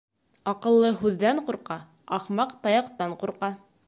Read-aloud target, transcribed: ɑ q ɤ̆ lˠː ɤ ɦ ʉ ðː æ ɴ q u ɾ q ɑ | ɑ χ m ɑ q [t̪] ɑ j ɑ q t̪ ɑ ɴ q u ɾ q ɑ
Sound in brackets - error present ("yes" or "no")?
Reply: no